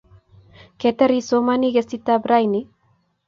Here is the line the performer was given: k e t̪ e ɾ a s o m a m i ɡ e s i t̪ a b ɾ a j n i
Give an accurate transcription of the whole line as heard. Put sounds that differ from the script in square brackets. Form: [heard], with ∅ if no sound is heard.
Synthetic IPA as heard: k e t̪ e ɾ [i] s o m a [n] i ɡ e s i t̪ a b ɾ a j n i